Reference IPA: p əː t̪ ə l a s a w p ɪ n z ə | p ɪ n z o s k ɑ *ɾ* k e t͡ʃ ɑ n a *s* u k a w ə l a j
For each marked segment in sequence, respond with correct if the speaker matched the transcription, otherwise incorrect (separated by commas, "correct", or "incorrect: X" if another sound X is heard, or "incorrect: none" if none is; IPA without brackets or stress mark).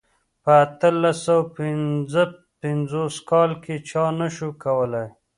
incorrect: l, incorrect: ʃ